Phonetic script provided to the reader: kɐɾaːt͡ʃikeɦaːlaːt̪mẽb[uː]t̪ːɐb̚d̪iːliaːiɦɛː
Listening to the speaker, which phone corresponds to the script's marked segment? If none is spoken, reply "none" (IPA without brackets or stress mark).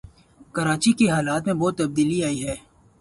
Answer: ɔː